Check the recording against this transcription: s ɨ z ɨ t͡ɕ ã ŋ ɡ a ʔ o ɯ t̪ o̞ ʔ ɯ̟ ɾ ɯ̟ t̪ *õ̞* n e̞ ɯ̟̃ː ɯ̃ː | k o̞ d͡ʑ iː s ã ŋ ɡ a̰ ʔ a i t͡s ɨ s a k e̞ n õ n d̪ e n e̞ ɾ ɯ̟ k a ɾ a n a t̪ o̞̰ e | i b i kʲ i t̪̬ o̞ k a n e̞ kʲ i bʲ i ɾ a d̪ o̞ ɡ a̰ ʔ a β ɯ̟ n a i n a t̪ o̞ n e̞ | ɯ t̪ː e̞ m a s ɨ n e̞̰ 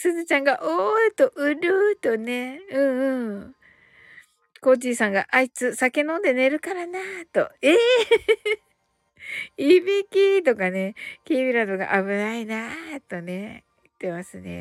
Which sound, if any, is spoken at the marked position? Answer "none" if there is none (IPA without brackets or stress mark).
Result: o̞